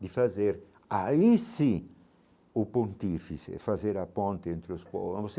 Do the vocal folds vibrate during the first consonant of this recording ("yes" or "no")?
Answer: yes